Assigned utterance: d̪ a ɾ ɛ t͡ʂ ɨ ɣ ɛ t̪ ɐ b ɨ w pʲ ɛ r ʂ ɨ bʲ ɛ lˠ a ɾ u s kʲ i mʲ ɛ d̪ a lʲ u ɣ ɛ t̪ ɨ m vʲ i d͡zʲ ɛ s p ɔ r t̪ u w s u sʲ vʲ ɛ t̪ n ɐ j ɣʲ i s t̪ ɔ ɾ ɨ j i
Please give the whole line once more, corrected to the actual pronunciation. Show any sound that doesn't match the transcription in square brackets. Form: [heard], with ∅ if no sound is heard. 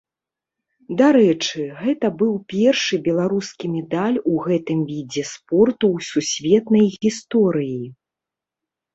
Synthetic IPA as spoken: d̪ a ɾ ɛ t͡ʂ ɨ ɣ ɛ t̪ ɐ b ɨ w pʲ ɛ r ʂ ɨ bʲ ɛ lˠ a ɾ u s kʲ i mʲ ɛ d̪ a lʲ u ɣ ɛ t̪ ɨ m vʲ i d͡zʲ ɛ s p ɔ r t̪ u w s u sʲ vʲ ɛ t̪ n ɐ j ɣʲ i s t̪ ɔ ɾ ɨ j i